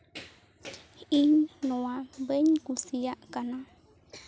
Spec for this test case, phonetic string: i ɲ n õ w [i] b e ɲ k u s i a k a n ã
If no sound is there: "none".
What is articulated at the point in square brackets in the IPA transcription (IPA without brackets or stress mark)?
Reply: a